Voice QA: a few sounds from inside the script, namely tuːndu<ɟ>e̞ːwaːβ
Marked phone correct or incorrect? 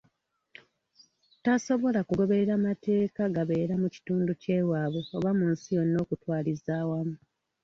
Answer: incorrect